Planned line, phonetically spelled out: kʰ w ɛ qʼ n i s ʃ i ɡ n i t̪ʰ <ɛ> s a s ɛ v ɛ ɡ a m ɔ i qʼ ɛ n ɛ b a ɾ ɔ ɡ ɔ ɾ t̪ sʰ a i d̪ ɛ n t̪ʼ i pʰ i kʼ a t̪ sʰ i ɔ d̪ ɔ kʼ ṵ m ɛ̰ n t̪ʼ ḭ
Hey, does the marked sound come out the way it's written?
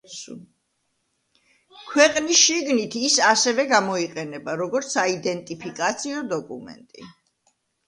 no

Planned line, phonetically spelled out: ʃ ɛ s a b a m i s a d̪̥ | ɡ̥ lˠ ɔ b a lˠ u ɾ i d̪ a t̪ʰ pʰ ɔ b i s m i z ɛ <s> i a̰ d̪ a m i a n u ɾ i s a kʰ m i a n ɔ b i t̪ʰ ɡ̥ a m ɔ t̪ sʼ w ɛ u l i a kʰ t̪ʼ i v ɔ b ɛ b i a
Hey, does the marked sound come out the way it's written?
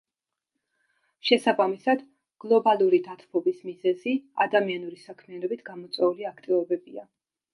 no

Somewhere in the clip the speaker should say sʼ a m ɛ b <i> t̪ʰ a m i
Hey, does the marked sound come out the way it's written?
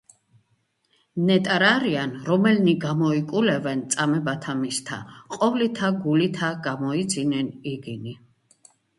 no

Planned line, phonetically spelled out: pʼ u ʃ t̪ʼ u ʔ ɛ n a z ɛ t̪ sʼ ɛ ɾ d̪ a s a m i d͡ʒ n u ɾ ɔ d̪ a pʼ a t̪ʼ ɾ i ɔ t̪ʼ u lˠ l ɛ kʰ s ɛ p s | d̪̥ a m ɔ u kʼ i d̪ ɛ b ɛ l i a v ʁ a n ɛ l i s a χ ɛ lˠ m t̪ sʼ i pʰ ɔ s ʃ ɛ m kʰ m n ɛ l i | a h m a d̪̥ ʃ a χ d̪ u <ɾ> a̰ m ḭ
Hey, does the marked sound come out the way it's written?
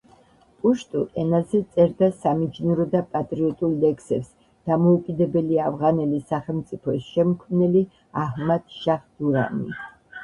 yes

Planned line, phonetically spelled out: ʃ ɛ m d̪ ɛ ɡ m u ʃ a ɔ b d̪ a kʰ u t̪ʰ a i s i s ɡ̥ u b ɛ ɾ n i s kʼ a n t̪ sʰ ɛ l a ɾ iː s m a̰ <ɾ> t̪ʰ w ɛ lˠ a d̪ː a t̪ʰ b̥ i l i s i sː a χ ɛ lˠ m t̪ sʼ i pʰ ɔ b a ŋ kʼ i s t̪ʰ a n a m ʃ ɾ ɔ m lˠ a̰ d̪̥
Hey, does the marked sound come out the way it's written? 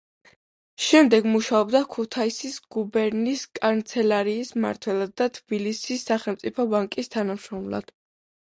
yes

